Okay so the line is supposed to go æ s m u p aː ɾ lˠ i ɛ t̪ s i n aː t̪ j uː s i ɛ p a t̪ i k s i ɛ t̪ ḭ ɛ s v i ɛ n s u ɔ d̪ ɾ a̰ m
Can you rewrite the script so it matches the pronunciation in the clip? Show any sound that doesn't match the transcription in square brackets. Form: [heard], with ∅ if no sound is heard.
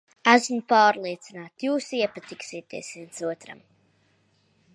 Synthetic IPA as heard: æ s m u p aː ɾ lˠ i ɛ t̪ s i n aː t̪ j uː s i ɛ p a t̪ i k s i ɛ t̪ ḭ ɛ s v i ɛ n s u ɔ [t̪] ɾ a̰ m